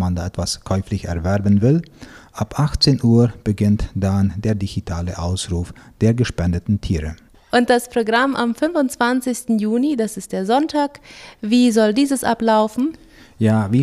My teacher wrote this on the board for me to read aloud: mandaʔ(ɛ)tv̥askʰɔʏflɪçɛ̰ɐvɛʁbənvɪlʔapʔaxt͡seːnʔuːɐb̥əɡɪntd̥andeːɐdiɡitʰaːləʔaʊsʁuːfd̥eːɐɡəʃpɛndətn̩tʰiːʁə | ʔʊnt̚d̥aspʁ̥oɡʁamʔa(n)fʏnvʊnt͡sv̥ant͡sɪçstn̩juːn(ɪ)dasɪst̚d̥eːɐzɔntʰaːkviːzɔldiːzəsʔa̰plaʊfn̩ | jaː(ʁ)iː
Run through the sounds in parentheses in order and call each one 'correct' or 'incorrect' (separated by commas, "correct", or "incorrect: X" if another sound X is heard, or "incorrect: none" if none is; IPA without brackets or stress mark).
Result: correct, incorrect: m, incorrect: i, incorrect: v